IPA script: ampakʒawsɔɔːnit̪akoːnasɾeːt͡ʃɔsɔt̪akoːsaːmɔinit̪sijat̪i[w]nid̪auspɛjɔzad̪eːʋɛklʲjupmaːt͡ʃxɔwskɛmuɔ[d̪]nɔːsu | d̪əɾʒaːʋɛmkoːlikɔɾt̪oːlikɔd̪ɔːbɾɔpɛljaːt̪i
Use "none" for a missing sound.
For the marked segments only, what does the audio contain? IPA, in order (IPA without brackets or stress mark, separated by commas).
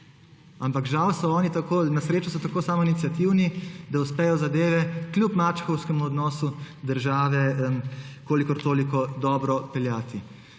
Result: w, d̪